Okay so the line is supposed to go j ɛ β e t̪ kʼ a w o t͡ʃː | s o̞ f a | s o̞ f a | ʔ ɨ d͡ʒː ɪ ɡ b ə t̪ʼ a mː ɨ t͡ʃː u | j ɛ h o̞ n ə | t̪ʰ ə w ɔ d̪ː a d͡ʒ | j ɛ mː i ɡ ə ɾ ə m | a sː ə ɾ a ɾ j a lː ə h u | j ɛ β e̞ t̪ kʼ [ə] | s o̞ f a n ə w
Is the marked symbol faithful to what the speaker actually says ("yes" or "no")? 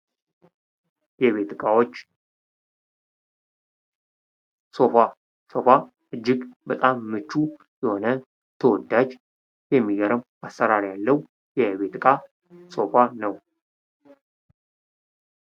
no